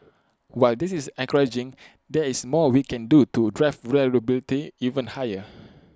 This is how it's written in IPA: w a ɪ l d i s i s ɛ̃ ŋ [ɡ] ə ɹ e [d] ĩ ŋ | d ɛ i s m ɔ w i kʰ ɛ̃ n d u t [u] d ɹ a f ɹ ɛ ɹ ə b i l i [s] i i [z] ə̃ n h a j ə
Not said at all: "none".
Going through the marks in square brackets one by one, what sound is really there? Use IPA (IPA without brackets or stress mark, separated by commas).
k, d͡ʒ, u, t, v